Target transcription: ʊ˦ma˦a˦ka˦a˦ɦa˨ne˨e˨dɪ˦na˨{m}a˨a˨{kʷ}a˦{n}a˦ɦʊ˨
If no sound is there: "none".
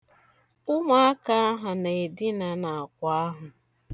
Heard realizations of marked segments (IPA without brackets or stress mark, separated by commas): n, kʷ, none